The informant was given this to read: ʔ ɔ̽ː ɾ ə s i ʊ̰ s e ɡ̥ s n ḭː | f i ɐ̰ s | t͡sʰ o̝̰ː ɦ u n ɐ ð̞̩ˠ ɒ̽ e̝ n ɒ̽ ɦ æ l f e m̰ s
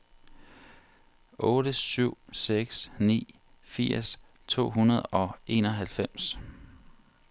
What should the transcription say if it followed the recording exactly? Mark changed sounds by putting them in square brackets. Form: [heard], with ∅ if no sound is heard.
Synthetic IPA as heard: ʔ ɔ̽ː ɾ ə s [y] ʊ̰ s e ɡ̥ s n ḭː | f i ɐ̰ s | t͡sʰ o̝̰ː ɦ u n ɐ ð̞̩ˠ ɒ̽ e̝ n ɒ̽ ɦ æ l f e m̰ s